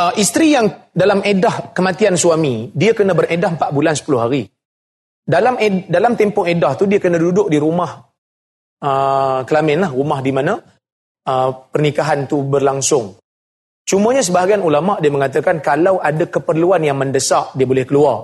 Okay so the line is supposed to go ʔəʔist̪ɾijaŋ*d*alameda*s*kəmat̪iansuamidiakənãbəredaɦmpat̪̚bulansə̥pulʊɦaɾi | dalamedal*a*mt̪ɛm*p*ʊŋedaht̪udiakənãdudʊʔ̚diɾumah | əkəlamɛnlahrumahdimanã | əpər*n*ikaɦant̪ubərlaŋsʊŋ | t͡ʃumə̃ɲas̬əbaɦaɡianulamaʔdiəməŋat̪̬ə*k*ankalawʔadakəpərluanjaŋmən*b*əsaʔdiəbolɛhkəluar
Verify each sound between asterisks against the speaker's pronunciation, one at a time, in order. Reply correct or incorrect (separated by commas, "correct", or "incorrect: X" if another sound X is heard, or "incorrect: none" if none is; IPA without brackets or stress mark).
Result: correct, incorrect: h, correct, correct, correct, correct, incorrect: d